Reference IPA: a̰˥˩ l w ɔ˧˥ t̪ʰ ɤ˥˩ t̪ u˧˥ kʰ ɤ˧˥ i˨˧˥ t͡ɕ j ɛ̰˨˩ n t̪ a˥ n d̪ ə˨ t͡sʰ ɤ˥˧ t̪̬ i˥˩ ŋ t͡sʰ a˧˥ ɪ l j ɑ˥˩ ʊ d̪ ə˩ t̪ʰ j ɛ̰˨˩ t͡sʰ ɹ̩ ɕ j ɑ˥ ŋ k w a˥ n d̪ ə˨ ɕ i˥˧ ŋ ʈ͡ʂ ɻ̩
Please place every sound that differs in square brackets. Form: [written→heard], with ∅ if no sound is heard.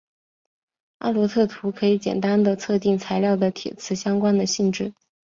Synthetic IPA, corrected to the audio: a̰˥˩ l w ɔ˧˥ t̪ʰ ɤ˥˩ [t̪→t̪ʰ] u˧˥ kʰ ɤ˧˥ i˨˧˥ t͡ɕ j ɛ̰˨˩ n t̪ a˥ n d̪ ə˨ t͡sʰ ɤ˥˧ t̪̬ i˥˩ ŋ t͡sʰ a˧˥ ɪ l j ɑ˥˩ ʊ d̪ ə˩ t̪ʰ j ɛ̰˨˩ t͡sʰ ɹ̩ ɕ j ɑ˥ ŋ k w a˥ n d̪ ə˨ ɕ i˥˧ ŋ ʈ͡ʂ ɻ̩